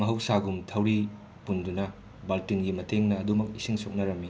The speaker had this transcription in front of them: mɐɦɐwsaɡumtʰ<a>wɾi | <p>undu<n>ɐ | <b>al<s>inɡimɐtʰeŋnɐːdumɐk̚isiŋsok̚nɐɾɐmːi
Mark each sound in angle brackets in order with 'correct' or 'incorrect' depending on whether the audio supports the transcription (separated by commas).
incorrect, correct, correct, correct, incorrect